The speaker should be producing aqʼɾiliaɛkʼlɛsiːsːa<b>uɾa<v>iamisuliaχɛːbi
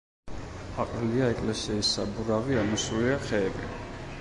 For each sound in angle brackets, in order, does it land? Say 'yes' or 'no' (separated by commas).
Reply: yes, yes